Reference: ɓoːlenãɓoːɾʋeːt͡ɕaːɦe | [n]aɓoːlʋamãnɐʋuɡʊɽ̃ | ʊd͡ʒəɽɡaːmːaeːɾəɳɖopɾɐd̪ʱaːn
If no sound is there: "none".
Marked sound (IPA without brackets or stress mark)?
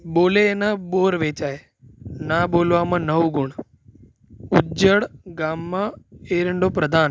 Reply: n